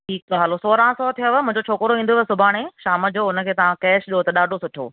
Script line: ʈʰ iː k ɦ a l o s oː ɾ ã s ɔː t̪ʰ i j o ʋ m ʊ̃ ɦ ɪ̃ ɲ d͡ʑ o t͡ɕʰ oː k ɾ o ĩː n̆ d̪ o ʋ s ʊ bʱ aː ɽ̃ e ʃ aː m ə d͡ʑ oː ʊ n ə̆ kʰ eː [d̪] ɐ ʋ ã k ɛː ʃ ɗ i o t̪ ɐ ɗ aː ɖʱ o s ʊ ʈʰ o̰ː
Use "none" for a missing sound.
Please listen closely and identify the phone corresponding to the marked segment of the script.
t̪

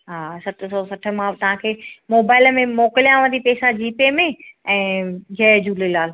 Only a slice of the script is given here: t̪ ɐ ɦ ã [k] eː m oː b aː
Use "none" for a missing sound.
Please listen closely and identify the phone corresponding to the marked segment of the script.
kʰ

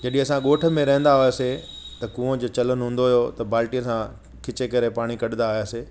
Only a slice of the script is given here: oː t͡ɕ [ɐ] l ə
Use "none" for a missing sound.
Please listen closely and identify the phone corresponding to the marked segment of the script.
ɐ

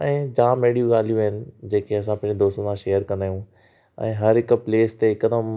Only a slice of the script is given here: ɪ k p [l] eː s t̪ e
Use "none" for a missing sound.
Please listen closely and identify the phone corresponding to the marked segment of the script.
l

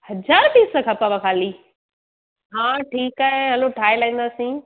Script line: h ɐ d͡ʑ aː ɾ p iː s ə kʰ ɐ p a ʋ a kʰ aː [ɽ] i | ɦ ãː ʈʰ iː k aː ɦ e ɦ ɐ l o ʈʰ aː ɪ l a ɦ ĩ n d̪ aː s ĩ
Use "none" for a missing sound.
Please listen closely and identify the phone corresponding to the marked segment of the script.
l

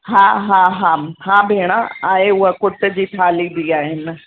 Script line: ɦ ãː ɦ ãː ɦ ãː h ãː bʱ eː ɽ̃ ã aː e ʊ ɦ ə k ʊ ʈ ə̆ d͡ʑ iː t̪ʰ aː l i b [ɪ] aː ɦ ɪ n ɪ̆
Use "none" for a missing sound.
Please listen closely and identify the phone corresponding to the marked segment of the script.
i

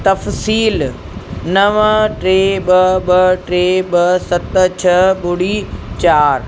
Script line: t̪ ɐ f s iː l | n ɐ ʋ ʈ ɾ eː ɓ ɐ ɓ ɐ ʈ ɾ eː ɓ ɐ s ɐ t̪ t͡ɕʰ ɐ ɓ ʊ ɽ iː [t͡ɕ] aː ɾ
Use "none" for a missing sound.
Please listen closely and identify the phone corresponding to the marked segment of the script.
t͡ɕ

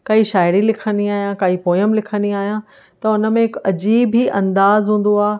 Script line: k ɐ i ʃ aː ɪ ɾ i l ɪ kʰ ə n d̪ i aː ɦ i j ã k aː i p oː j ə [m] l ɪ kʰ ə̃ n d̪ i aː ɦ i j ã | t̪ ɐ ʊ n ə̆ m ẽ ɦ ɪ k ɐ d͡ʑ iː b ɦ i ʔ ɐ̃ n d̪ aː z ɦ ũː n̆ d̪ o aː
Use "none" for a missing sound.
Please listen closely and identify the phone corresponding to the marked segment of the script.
m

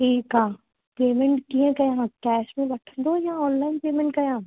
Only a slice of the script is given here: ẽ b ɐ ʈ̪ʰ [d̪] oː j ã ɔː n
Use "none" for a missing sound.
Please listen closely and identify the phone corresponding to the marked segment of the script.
d̪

